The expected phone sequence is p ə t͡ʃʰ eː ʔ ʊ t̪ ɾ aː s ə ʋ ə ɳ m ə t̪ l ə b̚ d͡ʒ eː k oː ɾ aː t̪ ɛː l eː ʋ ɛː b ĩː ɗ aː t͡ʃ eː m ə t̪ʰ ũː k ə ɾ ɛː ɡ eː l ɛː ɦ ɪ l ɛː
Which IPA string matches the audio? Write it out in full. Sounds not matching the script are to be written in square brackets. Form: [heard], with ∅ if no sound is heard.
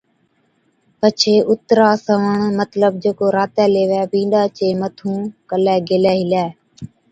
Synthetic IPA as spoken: p ə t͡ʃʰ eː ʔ ʊ t̪ ɾ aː s ə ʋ ə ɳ m ə t̪ l ə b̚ d͡ʒ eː k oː ɾ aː t̪ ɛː l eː ʋ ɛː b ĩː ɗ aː t͡ʃ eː m ə t̪ʰ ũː k ə [l] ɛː ɡ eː l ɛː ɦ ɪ l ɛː